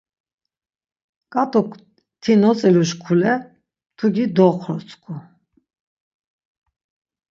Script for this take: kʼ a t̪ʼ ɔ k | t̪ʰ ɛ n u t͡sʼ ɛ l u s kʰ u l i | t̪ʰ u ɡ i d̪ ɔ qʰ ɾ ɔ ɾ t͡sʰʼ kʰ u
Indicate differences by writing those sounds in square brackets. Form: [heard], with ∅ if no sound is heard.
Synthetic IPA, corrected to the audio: kʼ a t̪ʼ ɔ k | t̪ʰ [i] n [ɔ] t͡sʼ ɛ l u [ʃ] kʰ u l [ɛ] | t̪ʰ u ɡ i d̪ ɔ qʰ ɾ ɔ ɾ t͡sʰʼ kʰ u

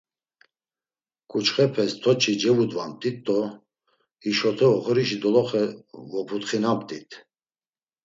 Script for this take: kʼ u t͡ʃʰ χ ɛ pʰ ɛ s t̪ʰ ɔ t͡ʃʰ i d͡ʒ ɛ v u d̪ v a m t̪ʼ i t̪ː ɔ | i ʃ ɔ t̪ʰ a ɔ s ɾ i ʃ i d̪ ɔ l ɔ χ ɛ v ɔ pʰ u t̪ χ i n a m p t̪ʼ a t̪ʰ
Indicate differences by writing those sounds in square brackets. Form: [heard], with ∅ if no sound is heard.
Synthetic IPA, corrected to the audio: kʼ u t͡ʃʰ χ ɛ pʰ ɛ s t̪ʰ ɔ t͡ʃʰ i d͡ʒ ɛ v u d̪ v a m t̪ʼ i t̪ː ɔ | i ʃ ɔ t̪ʰ [ɛ] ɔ [χ] ɾ i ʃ i d̪ ɔ l ɔ χ ɛ v ɔ pʰ u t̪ χ i n a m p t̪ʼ [i] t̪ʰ

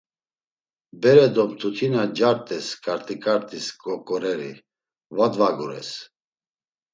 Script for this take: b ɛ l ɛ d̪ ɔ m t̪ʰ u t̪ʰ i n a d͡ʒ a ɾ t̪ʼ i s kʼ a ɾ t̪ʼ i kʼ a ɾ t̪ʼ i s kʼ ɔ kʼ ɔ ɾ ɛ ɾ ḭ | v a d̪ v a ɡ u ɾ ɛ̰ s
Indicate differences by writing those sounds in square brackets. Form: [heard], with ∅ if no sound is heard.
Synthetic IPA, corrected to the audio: b ɛ [ɾ] ɛ d̪ ɔ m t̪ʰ u t̪ʰ i n a d͡ʒ a ɾ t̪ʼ [ɛ] s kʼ a ɾ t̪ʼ i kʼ a ɾ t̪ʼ i s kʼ ɔ kʼ ɔ ɾ ɛ ɾ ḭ | v a d̪ v a ɡ u ɾ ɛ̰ s

